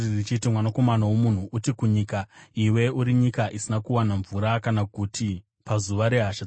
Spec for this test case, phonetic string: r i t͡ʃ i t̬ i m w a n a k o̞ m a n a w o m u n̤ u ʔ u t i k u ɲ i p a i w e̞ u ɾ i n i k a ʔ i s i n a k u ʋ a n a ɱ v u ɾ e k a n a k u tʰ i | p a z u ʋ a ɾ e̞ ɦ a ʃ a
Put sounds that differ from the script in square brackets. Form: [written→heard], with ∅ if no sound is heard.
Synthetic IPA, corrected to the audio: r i t͡ʃ i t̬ i m w a n a k o̞ m a n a w o m u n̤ u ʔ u t i k u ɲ i [p→k] a i w e̞ u ɾ i [n→ɲ] i k a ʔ i s i n a k u [ʋ→w] a n a ɱ v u ɾ [e→a] k a n a k u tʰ i | p a z u ʋ a ɾ e̞ ɦ a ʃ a